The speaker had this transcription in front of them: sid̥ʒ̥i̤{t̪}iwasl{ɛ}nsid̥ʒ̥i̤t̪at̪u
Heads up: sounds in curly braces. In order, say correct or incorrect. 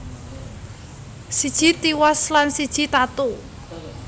correct, incorrect: a

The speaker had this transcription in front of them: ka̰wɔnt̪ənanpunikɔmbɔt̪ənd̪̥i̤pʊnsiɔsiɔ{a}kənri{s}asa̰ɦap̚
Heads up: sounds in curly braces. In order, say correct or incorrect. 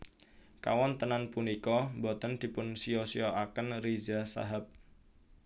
correct, incorrect: z

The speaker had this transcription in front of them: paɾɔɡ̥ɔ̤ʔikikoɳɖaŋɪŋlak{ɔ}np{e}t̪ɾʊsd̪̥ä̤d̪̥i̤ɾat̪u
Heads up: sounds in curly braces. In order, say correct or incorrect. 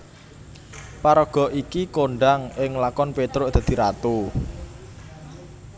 correct, correct

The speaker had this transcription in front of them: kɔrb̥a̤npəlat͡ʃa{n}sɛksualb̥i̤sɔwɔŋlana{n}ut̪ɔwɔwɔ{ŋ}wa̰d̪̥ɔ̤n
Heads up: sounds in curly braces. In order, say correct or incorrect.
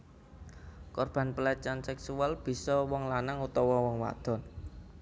correct, incorrect: ŋ, correct

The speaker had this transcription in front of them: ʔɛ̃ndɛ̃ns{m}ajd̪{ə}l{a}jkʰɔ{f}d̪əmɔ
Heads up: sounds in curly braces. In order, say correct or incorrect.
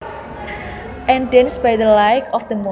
incorrect: b, correct, correct, correct

